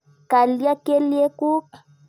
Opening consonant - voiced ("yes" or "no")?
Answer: no